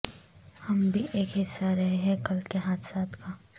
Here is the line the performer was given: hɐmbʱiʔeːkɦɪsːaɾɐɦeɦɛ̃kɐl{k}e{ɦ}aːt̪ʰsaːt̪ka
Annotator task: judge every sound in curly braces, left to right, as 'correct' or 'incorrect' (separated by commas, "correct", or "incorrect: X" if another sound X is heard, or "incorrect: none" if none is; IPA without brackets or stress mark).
correct, correct